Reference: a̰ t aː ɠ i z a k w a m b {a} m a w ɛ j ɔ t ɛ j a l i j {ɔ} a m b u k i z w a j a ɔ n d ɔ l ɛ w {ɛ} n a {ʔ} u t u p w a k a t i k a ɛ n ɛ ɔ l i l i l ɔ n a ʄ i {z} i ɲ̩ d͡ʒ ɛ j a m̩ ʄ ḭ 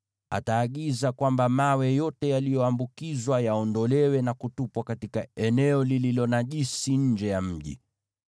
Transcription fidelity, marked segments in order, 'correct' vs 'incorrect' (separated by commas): correct, correct, correct, incorrect, incorrect